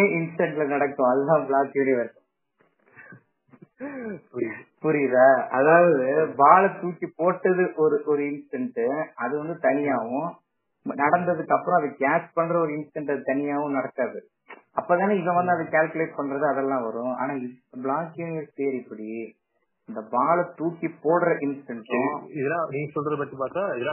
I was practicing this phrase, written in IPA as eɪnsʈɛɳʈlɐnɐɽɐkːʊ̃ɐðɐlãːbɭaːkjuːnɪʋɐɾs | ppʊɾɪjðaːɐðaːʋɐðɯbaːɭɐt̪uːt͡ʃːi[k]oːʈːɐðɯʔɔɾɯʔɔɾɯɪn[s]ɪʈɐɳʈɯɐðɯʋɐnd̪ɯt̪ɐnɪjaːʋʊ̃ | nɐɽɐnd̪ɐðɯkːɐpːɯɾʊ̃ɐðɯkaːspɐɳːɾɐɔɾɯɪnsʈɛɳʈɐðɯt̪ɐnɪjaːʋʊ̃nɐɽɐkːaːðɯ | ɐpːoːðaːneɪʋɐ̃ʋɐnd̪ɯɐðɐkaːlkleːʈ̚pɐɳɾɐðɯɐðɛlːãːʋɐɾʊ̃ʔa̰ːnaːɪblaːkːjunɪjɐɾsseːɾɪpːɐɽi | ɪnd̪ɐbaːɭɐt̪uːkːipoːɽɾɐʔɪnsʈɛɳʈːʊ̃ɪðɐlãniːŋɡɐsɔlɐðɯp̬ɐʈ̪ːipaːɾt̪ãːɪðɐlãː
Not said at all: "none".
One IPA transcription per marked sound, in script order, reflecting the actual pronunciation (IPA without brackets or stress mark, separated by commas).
p, s